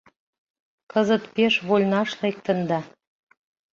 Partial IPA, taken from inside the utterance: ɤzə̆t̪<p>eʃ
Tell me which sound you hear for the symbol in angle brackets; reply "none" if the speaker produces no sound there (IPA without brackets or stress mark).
p